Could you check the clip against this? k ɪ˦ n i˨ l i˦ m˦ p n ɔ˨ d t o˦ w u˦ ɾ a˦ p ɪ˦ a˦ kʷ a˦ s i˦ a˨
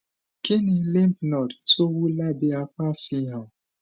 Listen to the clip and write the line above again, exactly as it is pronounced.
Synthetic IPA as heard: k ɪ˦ n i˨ l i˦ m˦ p n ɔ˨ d t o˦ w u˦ l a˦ b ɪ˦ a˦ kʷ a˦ f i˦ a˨